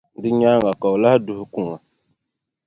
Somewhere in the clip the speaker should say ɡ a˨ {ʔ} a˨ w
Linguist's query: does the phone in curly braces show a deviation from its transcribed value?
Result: yes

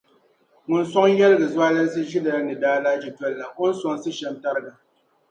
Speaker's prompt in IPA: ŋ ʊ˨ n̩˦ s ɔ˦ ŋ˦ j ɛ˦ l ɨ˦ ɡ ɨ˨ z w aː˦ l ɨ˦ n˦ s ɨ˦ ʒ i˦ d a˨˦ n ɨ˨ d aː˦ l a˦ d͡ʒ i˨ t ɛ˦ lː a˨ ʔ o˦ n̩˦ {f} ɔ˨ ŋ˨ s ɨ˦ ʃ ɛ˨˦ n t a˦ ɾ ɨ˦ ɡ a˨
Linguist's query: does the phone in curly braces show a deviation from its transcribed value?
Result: yes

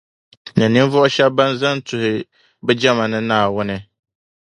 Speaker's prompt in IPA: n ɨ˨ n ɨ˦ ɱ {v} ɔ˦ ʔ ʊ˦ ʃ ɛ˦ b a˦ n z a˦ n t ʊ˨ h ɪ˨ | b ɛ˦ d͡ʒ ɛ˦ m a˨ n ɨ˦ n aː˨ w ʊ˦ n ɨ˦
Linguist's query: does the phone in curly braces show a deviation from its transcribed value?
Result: no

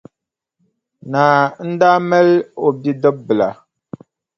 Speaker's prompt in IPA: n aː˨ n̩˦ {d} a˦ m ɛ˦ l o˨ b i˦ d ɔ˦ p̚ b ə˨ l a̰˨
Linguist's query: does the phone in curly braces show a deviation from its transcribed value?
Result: no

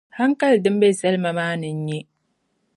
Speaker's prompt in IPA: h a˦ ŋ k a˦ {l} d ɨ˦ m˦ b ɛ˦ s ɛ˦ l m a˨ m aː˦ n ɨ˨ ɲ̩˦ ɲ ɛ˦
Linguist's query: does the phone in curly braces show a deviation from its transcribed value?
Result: no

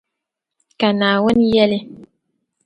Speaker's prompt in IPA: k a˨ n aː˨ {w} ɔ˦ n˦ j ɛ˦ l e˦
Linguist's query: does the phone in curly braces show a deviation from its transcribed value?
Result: no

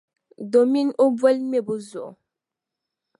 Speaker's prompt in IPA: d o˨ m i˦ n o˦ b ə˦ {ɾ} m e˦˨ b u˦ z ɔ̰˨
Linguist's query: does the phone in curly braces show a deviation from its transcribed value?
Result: yes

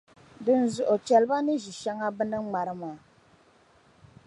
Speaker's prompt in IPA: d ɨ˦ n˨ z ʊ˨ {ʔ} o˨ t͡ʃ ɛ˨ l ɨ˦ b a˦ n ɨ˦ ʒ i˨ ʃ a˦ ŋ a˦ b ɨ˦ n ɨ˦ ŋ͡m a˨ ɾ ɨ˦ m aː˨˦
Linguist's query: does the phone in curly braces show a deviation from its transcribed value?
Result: no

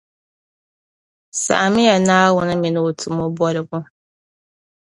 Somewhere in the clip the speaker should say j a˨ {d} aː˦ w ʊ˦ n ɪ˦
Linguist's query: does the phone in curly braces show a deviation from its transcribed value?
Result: yes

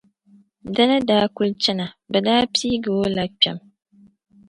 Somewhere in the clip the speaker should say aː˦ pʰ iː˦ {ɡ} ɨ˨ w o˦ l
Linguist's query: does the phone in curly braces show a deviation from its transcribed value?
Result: no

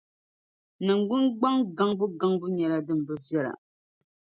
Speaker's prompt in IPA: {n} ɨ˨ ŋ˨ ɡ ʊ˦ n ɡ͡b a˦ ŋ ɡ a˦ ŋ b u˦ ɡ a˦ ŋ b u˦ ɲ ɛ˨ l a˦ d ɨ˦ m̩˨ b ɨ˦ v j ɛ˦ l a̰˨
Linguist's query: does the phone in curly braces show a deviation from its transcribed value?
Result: no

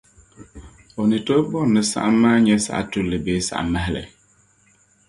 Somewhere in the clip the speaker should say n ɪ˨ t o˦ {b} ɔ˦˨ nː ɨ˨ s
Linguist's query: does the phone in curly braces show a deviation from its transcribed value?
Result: no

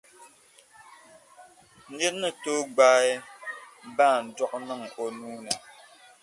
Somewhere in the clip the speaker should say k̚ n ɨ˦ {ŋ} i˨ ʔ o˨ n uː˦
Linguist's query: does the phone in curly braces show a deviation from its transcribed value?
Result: no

